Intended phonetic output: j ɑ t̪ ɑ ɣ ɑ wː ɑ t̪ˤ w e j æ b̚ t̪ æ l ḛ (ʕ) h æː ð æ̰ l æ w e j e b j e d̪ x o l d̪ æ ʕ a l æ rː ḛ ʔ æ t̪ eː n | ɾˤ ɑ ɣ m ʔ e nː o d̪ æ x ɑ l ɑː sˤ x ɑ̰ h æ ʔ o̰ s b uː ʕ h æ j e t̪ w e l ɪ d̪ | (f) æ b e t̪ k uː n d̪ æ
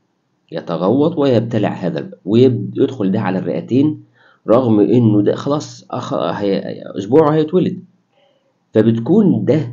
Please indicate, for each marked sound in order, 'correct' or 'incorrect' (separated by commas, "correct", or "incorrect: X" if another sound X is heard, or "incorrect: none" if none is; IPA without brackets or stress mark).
correct, correct